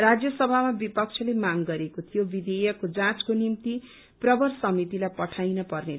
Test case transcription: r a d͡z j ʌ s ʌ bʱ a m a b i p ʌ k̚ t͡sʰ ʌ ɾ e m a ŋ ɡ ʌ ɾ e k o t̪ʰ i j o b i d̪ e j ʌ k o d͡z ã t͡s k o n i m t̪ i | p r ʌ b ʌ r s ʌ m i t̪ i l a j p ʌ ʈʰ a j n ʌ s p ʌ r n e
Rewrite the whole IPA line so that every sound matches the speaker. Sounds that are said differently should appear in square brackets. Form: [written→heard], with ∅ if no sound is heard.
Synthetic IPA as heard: r a d͡z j ʌ s ʌ bʱ a m a b i p ʌ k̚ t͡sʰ ʌ [ɾ→l] e m a ŋ ɡ ʌ ɾ e k o t̪ʰ i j o b i d̪ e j ʌ k o d͡z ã t͡s k o n i m t̪ i | p r ʌ b ʌ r s ʌ m i t̪ i l a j p ʌ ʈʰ a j n ʌ [s→∅] p ʌ r n e